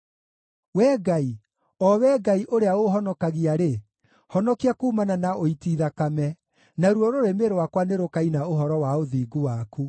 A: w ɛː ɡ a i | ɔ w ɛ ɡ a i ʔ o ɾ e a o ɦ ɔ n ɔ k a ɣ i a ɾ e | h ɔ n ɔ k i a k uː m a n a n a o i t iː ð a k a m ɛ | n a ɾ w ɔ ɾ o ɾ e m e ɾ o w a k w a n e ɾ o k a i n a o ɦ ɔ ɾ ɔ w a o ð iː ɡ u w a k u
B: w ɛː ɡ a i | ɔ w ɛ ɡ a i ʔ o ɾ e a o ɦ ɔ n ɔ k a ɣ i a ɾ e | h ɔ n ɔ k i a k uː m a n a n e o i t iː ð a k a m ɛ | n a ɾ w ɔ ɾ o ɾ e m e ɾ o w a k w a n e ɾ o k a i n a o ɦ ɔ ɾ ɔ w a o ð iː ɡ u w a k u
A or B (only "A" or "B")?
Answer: A